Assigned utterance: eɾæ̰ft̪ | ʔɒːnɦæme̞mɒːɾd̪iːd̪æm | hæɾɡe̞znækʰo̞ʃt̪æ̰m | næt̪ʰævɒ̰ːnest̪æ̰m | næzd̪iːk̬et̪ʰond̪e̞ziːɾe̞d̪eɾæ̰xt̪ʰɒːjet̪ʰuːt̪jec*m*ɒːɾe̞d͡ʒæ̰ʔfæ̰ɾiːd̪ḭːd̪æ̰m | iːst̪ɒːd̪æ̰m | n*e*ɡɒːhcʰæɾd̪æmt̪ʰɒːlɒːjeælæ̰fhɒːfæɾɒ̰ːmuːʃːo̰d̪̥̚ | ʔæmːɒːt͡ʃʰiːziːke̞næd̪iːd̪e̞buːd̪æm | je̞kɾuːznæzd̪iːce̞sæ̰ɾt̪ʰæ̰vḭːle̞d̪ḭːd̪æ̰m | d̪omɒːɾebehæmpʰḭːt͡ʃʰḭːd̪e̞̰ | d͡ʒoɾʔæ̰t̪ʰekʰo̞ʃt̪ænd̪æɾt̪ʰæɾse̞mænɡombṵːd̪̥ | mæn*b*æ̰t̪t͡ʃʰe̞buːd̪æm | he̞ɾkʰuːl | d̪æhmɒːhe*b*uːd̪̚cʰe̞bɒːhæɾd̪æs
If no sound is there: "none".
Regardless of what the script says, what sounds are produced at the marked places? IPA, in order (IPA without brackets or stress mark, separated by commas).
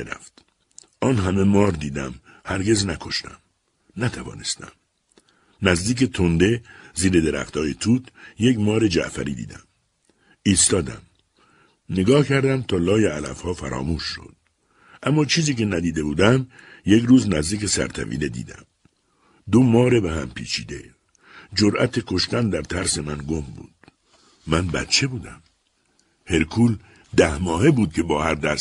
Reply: m, e, b, b